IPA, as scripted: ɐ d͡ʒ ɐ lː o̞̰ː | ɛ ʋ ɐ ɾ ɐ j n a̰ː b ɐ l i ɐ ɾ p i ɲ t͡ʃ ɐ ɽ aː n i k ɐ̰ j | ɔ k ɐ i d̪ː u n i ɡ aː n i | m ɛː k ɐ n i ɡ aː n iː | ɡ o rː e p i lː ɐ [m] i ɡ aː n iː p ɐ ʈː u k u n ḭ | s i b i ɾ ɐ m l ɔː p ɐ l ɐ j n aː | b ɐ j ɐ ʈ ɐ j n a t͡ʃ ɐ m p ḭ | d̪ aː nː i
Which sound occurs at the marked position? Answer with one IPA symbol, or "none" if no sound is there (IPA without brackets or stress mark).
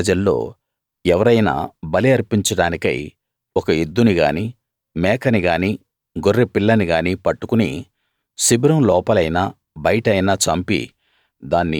n